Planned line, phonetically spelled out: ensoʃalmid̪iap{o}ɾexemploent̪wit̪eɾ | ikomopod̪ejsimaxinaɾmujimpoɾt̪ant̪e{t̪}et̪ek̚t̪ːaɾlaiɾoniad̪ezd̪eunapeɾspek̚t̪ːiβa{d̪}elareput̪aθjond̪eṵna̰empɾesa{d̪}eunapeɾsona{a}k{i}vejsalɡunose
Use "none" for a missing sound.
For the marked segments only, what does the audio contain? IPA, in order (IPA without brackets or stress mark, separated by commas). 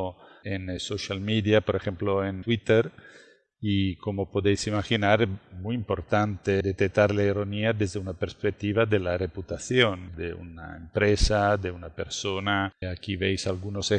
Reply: o, d̪, d̪, d̪, a, i